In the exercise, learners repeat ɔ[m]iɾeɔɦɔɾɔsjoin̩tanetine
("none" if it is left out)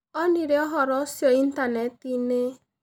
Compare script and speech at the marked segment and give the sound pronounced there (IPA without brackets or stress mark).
n